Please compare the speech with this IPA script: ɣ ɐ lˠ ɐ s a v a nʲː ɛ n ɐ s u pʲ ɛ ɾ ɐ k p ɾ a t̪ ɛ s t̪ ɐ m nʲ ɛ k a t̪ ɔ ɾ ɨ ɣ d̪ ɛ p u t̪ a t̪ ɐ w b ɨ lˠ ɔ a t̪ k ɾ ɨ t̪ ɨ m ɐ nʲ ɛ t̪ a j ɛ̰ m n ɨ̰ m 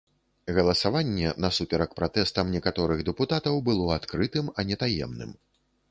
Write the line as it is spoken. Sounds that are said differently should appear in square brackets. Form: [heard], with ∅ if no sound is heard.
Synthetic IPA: ɣ ɐ lˠ ɐ s a v a nʲː ɛ n ɐ s u pʲ ɛ ɾ ɐ k p ɾ a t̪ ɛ s t̪ ɐ m nʲ ɛ k a t̪ ɔ ɾ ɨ ɣ d̪ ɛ p u t̪ a t̪ ɐ w b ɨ lˠ ɔ a t̪ k ɾ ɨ t̪ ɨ m ɐ nʲ ɛ t̪ a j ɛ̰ m n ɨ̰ m